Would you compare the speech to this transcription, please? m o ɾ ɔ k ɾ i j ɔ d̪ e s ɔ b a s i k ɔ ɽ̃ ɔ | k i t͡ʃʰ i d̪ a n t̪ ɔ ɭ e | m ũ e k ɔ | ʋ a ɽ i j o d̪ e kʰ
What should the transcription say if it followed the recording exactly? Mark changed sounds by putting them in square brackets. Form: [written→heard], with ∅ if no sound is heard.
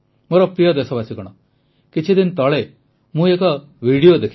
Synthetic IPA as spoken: m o ɾ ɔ [k→p] ɾ i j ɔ d̪ e s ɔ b a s i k ɔ ɽ̃ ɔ | k i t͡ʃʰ i d̪ [a→i] n t̪ ɔ ɭ e | m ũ e k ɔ | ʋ [a→i] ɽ i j o d̪ e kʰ